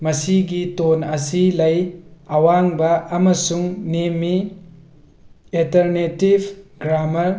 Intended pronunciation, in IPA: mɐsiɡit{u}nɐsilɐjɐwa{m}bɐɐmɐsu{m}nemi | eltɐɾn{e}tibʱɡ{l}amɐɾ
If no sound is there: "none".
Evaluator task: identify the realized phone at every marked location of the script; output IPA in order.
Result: o, ŋ, ŋ, e, ɾ

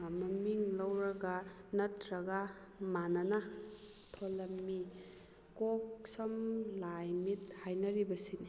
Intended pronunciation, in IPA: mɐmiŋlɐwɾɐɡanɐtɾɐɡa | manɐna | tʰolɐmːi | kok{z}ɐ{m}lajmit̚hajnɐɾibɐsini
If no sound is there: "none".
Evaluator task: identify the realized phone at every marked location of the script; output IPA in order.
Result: s, m

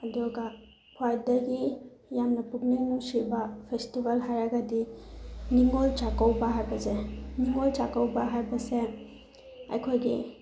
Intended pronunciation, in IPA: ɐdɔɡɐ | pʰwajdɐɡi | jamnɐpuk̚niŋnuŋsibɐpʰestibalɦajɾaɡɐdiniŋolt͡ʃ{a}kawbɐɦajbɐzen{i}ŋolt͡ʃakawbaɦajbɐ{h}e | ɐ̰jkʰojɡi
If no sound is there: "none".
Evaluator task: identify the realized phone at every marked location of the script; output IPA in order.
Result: a, i, s

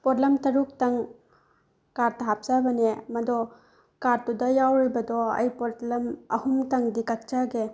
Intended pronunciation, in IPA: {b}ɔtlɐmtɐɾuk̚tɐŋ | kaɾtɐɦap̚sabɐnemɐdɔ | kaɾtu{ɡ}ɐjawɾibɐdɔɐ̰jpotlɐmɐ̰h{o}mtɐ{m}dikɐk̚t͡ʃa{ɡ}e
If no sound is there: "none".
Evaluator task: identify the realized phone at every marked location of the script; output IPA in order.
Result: p, d, u, ŋ, ɡ

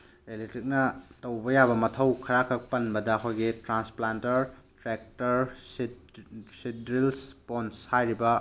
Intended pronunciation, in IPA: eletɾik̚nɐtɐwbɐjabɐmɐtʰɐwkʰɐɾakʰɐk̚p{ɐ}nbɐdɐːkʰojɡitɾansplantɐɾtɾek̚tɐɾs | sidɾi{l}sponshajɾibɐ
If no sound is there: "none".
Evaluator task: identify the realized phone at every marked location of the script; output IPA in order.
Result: ɐ, l

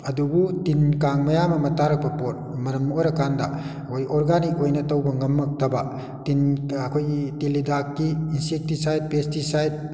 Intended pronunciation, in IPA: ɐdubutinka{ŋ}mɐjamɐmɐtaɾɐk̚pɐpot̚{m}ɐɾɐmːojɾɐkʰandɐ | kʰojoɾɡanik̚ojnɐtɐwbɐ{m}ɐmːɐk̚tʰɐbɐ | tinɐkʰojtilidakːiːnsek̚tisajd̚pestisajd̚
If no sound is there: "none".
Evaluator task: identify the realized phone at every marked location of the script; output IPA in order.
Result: ŋ, m, ŋ

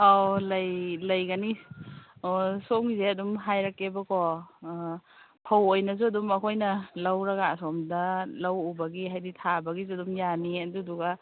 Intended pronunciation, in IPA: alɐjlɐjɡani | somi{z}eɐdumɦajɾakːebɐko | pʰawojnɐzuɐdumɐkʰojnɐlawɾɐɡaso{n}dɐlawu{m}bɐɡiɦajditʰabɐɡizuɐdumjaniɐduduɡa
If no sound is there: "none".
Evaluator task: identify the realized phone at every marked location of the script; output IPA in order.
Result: z, m, none

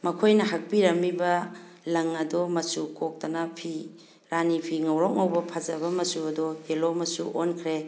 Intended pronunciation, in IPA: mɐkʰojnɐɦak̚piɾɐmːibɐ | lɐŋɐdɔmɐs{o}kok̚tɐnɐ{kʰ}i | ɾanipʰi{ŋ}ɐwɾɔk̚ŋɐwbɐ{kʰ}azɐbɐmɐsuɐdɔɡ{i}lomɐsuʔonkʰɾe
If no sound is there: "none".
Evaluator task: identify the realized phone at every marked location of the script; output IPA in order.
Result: u, pʰ, ŋ, pʰ, e

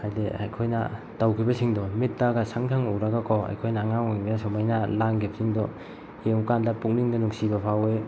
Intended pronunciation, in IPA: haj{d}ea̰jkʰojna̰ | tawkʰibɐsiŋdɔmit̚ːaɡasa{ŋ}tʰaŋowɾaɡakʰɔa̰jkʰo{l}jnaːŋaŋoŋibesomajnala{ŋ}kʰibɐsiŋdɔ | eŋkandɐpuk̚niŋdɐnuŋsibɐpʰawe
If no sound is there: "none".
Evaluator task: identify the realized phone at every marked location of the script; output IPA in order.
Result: d, ŋ, none, ŋ

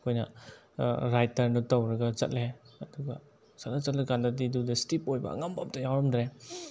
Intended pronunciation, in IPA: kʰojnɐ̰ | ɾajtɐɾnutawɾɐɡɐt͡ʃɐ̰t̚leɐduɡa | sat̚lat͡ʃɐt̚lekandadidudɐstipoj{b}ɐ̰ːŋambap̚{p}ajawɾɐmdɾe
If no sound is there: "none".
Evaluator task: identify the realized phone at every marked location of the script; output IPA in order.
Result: b, t

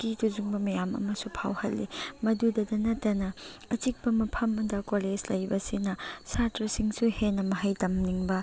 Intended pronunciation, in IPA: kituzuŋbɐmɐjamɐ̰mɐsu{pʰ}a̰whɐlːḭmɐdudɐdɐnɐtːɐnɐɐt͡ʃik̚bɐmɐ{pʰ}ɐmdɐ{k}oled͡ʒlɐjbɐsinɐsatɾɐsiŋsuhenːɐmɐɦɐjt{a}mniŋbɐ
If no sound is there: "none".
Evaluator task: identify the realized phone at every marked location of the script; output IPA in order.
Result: pʰ, pʰ, k, ɐ

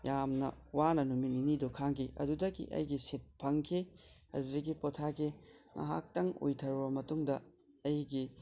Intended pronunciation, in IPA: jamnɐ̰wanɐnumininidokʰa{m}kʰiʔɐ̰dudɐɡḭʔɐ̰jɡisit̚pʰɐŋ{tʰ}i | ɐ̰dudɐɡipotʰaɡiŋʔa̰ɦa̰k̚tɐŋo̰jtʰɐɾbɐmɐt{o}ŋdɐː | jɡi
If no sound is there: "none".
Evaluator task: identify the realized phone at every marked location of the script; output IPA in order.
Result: ŋ, kʰ, u

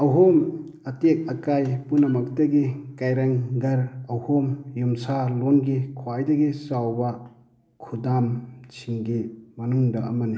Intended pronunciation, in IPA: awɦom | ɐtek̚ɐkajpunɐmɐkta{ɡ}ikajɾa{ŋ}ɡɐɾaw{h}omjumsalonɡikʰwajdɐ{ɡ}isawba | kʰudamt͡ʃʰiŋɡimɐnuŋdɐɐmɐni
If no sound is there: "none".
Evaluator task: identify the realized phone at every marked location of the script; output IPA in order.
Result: ɡ, ŋ, h, ɡ

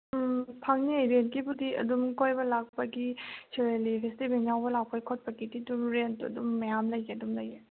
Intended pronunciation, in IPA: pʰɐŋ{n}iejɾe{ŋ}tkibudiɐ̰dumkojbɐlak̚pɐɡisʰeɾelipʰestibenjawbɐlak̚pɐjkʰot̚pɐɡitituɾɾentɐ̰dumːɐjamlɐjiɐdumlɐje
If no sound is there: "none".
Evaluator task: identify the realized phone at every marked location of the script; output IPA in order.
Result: n, n

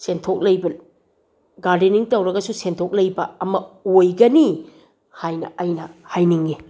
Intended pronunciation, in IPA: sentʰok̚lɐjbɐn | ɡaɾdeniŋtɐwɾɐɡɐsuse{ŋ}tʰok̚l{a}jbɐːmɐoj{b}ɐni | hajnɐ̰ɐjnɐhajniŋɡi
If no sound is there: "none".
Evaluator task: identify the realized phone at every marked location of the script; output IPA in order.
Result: n, ɐ, ɡ

